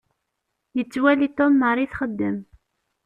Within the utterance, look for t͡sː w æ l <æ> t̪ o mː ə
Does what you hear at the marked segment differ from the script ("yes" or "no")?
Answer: yes